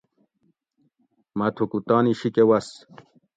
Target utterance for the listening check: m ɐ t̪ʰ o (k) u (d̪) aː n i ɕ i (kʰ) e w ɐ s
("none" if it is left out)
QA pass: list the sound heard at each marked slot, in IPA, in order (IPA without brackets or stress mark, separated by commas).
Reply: k, t̪, k